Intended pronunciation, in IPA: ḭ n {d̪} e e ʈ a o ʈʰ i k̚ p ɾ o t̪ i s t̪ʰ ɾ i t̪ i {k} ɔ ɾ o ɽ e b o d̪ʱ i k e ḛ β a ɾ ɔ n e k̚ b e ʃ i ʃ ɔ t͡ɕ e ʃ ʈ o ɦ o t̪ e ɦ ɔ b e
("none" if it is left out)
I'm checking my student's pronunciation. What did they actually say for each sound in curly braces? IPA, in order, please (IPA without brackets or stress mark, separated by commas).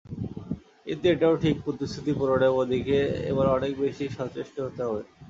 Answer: t̪, p